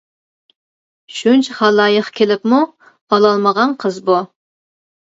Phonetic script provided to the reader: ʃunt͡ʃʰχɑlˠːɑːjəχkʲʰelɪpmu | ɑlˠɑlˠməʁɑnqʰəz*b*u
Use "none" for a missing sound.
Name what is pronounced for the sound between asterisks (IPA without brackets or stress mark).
b